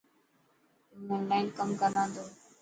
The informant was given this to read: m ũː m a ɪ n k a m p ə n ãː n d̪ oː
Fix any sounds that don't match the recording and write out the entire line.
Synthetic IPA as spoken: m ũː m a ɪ n k ə m k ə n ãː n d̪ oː